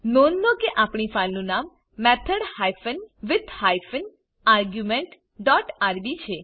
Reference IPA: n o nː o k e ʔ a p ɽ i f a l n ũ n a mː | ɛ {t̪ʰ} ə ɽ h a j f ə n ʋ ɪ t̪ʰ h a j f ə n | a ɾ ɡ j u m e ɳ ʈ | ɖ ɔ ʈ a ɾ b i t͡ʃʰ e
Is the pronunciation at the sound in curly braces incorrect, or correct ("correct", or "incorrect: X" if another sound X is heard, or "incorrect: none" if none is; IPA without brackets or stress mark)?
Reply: correct